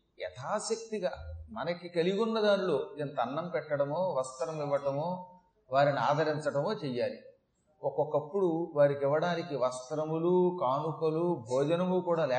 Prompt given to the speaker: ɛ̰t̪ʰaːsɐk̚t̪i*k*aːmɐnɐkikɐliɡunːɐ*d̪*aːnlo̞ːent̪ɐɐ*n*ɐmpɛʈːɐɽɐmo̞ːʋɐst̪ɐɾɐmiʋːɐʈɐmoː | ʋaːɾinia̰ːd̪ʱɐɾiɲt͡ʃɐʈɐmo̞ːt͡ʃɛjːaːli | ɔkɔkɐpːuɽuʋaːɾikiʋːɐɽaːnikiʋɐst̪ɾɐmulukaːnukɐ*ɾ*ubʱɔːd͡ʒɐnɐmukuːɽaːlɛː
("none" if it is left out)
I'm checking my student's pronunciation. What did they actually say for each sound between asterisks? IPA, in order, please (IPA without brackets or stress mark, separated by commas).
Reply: ɡ, d̪, nː, l